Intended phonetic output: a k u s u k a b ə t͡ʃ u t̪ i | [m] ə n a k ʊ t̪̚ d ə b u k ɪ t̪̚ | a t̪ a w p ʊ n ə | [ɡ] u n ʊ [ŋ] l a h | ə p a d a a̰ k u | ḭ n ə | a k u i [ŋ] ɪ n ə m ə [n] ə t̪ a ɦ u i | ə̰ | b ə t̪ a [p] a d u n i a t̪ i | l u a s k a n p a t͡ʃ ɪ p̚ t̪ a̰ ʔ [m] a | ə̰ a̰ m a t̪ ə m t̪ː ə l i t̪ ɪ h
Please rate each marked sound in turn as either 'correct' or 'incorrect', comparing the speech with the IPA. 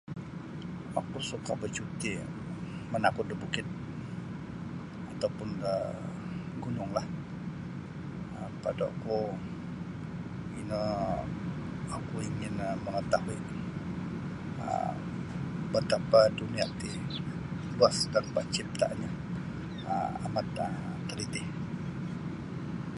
correct, correct, correct, correct, incorrect, correct, incorrect

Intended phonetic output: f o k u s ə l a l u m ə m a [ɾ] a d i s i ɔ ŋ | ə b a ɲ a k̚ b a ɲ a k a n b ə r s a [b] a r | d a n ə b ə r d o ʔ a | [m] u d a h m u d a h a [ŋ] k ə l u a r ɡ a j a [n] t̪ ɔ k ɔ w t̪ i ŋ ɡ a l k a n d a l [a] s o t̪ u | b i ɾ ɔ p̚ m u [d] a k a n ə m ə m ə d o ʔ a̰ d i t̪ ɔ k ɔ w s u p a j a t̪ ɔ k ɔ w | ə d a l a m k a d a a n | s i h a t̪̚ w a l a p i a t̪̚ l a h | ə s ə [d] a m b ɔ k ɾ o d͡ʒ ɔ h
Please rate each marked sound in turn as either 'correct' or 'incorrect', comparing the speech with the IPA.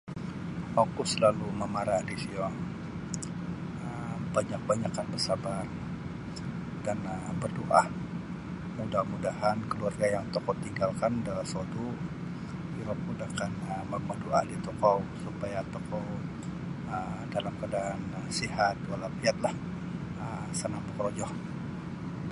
correct, correct, correct, incorrect, incorrect, correct, correct, incorrect

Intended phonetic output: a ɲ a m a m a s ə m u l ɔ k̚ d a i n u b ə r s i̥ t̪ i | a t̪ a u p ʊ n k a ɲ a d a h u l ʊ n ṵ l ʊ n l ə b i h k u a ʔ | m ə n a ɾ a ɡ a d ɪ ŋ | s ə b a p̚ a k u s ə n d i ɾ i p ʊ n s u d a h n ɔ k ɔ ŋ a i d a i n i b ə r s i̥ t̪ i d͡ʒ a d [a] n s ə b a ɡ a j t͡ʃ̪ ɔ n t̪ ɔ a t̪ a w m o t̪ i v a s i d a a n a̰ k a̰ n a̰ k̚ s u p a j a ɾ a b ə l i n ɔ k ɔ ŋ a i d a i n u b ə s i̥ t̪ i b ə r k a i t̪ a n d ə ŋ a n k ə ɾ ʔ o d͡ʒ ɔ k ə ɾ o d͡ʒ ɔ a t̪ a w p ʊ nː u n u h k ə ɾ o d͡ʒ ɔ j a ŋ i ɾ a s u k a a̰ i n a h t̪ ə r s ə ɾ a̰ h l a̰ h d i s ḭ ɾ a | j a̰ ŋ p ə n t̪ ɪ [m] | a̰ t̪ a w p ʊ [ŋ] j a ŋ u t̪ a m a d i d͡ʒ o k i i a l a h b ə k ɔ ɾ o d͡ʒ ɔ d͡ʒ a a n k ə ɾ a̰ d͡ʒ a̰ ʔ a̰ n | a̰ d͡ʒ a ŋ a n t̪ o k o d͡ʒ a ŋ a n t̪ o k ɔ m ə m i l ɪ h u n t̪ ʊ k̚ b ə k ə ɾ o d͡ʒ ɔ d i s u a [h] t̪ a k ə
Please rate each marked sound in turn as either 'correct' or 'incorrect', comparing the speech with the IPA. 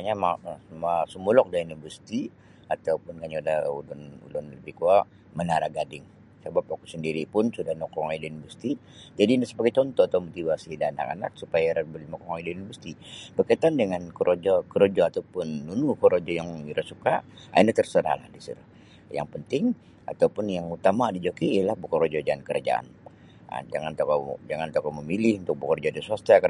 incorrect, incorrect, incorrect, incorrect

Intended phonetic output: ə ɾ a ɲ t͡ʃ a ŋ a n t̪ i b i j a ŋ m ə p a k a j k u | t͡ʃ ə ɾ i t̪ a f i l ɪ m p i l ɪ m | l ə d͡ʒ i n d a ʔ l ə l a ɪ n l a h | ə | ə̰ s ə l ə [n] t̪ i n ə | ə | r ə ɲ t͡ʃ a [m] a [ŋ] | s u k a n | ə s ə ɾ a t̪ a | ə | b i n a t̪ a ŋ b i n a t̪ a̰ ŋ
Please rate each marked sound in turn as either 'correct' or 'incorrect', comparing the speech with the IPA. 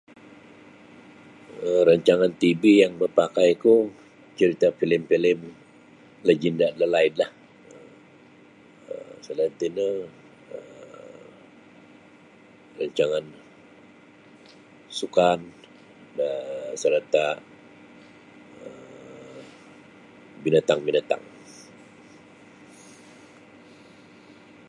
correct, incorrect, incorrect

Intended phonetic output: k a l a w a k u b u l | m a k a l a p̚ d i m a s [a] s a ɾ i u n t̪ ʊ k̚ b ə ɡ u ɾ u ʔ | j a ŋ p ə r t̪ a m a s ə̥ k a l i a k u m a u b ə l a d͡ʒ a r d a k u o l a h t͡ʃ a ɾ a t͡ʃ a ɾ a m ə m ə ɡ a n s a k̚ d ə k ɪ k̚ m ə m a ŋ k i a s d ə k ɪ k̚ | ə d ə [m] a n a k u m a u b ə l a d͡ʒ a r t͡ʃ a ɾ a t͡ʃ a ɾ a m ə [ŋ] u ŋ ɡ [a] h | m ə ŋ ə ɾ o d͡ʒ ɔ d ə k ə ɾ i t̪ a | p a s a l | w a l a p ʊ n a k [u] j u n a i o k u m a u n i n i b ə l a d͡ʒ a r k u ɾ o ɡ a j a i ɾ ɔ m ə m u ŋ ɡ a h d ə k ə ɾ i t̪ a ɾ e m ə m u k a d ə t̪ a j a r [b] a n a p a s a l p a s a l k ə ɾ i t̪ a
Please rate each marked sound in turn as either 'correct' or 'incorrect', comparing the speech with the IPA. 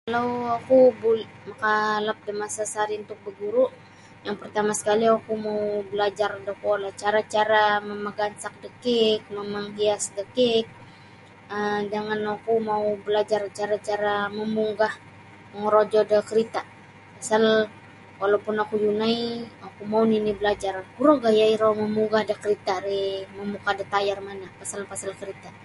correct, incorrect, incorrect, correct, correct, incorrect

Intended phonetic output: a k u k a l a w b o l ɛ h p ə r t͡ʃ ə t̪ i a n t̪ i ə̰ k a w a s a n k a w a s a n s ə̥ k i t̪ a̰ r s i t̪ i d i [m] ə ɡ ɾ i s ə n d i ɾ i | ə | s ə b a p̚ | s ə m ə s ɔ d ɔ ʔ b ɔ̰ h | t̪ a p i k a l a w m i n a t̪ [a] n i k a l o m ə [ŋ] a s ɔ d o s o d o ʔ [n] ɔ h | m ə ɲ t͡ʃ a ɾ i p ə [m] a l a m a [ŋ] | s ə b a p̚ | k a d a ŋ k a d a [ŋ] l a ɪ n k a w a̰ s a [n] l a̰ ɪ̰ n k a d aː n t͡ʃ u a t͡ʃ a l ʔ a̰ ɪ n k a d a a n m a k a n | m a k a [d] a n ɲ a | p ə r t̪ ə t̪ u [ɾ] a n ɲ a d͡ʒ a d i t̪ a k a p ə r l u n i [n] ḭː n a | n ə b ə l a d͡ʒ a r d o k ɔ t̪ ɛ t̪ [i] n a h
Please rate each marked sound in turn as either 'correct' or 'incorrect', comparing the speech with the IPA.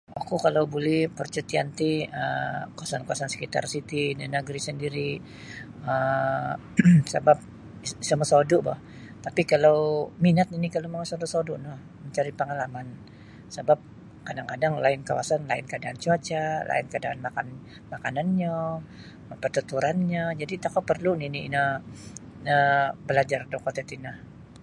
incorrect, incorrect, correct, correct, incorrect, incorrect, correct, correct, incorrect, correct, correct, correct

